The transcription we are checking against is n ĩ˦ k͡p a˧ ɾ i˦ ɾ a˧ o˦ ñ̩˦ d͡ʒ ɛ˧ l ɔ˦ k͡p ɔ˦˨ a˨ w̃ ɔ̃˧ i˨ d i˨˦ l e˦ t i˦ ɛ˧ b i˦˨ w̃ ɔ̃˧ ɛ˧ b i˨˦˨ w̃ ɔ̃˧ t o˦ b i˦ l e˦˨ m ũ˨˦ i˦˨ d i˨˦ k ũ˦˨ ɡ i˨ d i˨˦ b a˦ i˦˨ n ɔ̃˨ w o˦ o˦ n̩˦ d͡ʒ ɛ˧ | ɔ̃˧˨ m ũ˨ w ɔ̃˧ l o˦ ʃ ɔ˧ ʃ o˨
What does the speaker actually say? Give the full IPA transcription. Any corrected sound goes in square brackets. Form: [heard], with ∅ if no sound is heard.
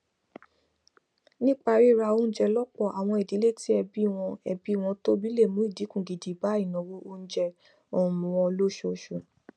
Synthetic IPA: n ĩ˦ k͡p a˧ ɾ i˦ ɾ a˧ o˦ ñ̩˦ d͡ʒ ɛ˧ l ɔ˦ k͡p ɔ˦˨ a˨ w̃ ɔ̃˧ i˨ d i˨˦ l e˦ t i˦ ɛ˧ b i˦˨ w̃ ɔ̃˧ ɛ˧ b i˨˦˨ w̃ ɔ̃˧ t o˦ b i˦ l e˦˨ m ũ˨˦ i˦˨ d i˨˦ k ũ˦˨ ɡ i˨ d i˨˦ b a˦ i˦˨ n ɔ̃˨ w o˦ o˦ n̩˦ d͡ʒ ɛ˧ | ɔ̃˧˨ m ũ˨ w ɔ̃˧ l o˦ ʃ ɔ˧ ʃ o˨